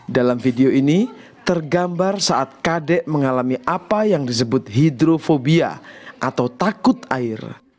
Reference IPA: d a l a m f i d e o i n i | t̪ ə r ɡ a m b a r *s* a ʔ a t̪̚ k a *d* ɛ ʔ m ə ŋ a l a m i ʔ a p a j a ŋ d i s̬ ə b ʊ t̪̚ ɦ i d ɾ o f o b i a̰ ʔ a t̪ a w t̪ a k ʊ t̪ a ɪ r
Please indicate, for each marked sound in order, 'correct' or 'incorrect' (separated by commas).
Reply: correct, correct